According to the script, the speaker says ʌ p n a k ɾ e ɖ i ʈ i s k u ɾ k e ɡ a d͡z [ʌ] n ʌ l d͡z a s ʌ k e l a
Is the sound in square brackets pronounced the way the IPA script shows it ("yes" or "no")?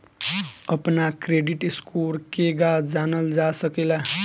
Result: no